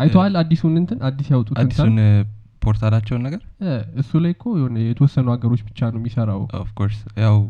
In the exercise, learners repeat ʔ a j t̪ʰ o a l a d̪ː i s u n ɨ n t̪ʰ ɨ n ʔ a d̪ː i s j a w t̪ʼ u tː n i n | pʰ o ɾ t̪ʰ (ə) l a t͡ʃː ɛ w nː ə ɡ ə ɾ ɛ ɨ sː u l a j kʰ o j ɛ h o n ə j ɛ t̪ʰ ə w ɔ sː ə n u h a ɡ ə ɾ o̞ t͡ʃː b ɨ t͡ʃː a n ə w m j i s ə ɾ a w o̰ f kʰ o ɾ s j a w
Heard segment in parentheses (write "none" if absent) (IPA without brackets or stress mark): a